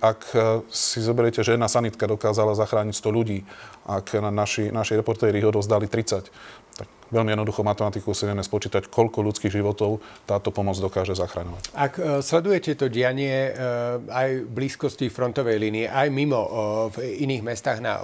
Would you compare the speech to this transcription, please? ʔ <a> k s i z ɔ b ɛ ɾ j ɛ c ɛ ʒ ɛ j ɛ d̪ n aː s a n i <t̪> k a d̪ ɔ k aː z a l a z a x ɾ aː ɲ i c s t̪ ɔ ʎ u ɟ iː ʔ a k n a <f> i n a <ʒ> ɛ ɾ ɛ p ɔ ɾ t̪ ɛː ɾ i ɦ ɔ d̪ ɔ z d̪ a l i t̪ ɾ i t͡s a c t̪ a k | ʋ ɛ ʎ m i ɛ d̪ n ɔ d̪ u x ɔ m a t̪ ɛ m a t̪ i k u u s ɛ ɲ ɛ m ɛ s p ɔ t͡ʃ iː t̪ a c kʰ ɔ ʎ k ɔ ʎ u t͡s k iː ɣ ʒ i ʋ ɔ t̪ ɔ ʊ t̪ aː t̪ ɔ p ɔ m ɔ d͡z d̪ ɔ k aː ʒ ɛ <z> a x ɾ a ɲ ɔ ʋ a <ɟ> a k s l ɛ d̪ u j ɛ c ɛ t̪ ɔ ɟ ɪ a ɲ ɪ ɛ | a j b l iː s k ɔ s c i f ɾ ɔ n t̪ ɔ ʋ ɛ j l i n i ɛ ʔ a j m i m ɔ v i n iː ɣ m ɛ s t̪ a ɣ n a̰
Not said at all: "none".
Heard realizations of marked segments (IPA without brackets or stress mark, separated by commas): a, t̪, ʃ, ʃ, z, c